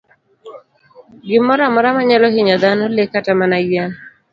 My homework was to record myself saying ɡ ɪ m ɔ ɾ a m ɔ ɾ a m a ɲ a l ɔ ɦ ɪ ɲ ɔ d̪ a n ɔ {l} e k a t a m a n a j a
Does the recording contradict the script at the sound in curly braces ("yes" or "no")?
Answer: no